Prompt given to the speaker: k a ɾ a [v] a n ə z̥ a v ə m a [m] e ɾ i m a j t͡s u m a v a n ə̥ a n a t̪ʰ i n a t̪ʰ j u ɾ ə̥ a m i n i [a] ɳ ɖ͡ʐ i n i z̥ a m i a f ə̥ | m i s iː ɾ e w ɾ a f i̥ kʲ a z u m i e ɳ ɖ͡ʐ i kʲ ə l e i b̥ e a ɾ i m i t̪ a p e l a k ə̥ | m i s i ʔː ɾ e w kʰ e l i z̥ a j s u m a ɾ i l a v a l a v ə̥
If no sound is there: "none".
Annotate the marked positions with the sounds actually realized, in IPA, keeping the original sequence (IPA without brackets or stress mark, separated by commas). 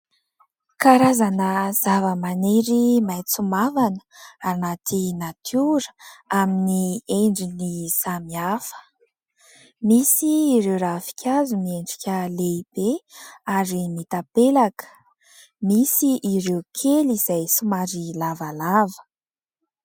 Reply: z, n, e